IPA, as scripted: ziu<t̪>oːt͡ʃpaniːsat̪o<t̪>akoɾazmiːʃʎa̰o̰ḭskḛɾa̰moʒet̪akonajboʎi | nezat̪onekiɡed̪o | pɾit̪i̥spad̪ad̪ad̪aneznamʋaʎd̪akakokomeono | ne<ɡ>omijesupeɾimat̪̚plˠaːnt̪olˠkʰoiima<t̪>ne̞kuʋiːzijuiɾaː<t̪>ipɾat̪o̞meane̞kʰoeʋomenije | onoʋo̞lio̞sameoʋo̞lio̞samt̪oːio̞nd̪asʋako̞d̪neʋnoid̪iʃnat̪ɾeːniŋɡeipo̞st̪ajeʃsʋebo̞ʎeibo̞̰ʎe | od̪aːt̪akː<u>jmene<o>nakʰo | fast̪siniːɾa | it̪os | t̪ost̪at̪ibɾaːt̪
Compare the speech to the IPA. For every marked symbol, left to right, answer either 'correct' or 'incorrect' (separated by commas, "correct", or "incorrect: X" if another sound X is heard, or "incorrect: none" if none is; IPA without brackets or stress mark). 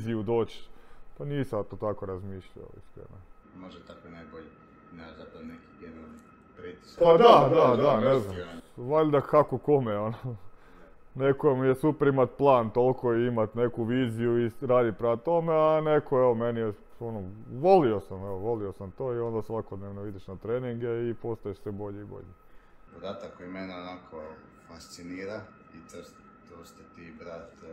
incorrect: d̪, correct, incorrect: k, correct, incorrect: d̪, incorrect: o, correct